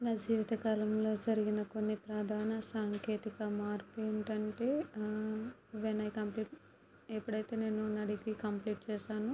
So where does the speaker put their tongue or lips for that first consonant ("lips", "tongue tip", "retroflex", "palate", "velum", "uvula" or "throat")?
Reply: tongue tip